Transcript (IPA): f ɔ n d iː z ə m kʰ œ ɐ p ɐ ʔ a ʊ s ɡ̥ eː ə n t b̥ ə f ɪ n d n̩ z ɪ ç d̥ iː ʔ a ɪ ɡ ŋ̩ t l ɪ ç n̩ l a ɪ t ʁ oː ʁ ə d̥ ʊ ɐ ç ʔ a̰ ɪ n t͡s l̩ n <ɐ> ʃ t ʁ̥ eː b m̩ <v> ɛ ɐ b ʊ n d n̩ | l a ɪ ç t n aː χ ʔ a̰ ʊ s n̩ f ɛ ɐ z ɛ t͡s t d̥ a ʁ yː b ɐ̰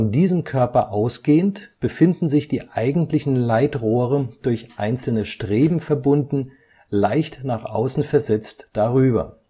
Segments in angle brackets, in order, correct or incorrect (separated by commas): incorrect, incorrect